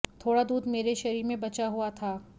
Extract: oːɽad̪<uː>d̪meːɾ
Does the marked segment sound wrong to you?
no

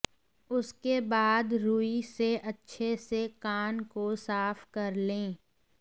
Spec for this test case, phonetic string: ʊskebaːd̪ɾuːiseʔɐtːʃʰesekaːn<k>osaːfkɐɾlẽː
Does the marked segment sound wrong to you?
no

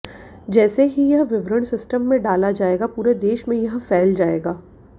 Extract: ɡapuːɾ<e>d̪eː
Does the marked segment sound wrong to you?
no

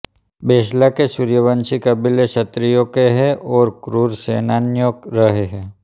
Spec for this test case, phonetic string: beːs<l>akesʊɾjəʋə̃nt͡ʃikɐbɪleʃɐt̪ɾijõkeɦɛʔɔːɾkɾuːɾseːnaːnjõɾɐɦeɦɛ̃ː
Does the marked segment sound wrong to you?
no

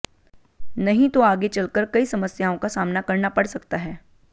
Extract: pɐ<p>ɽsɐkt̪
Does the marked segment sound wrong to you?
yes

